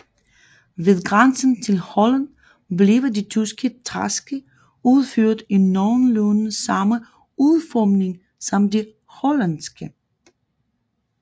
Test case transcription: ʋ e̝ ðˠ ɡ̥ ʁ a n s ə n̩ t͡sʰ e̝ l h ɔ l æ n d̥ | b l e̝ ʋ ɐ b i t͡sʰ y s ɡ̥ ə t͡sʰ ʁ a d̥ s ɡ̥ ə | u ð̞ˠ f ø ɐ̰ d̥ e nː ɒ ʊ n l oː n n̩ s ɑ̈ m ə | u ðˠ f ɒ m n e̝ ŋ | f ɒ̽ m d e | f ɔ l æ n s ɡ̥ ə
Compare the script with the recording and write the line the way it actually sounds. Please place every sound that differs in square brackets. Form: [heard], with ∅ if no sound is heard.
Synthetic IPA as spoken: ʋ e̝ ðˠ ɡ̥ ʁ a n s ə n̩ t͡sʰ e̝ l h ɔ l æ n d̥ | b l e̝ ʋ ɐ [d] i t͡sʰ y s ɡ̥ ə t͡sʰ ʁ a [∅] s ɡ̥ ə | u ð̞ˠ f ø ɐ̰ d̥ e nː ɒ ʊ n l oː n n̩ s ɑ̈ m ə | u ðˠ f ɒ m n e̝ ŋ | [s] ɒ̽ m d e | [h] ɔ l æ n s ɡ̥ ə